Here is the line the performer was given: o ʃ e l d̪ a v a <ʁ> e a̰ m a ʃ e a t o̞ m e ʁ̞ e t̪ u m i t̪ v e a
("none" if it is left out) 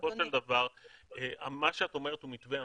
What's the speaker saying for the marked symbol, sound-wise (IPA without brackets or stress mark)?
ʁ